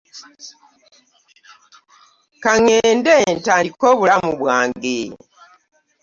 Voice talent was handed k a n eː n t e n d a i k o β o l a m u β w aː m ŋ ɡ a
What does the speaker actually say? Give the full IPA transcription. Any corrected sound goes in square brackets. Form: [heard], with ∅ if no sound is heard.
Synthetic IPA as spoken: k a [ŋ] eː n [d] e n [t] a i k o β [u] l a m u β w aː [∅] ŋ ɡ [e]